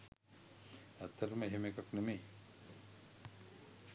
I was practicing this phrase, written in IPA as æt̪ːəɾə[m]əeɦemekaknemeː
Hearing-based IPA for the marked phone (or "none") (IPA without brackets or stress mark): m